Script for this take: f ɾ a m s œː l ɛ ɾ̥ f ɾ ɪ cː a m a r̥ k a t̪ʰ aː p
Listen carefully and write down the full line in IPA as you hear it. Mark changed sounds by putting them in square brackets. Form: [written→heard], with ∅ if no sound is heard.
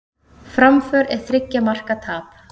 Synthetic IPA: f ɾ a m [s→f] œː [l→ɾ] ɛ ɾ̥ [f→θ] ɾ ɪ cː a m a r̥ k a t̪ʰ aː p